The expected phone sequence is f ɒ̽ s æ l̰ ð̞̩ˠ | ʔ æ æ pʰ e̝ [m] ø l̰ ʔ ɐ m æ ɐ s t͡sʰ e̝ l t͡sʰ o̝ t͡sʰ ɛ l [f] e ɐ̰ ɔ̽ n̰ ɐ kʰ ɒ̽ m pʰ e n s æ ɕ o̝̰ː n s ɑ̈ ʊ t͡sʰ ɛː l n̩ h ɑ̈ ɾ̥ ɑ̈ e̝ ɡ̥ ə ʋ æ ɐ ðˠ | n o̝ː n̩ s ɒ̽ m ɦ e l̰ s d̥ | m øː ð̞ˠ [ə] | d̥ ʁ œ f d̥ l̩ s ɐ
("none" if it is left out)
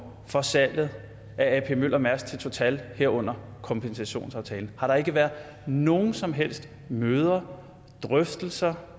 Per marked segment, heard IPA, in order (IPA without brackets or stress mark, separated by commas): m, h, ɐ